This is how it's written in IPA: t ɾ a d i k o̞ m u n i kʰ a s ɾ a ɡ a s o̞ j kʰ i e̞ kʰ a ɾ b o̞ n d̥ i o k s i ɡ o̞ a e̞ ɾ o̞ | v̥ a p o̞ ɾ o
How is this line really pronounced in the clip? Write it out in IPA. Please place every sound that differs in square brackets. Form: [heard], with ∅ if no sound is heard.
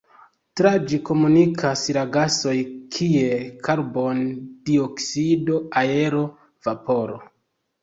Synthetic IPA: t ɾ a [d͡ʒ] i k o̞ m u n i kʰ a s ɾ a ɡ a s o̞ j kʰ i e̞ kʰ a ɾ b o̞ n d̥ i o k s i [d] o̞ a e̞ ɾ o̞ | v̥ a p o̞ ɾ o